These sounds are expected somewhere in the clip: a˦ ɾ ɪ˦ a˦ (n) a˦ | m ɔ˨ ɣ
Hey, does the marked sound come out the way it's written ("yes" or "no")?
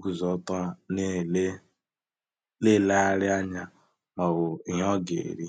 no